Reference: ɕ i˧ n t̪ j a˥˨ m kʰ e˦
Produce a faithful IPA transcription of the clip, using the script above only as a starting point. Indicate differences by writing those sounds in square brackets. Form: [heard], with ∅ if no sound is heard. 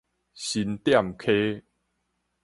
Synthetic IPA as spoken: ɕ i˧ n t̪ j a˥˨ m kʰ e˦